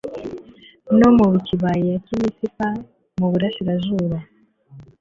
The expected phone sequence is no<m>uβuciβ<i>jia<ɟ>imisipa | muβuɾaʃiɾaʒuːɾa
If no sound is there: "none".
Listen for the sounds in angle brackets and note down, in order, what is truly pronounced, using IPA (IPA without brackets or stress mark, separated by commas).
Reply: m, a, c